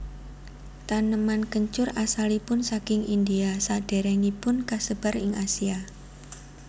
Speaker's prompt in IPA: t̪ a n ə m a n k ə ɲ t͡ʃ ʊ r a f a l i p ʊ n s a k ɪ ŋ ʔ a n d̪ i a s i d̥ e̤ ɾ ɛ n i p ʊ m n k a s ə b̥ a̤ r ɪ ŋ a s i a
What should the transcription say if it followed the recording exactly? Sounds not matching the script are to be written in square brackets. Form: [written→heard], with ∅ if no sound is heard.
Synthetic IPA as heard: t̪ a n ə m a n k ə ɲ t͡ʃ ʊ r a [f→s] a l i p ʊ n s a k ɪ ŋ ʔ [a→i] n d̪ i a s [i→a] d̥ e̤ ɾ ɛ n i p ʊ [m→∅] n k a s ə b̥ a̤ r ɪ ŋ a s i a